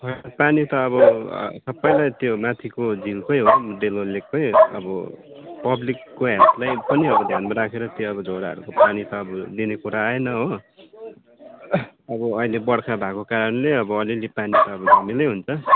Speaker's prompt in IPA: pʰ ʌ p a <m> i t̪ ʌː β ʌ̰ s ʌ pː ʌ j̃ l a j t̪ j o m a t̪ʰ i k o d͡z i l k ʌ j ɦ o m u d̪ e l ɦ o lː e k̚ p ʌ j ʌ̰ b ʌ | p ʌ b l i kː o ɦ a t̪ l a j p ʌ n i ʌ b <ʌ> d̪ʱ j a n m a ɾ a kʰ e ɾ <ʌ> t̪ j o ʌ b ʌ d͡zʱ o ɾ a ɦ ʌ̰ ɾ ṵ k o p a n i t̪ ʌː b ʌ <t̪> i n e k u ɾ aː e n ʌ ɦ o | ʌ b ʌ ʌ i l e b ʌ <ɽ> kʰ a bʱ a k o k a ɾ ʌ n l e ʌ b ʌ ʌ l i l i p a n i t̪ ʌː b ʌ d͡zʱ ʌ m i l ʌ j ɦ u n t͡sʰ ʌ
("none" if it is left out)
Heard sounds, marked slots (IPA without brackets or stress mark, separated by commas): n, ʌ, ʌ, d̪, ɽ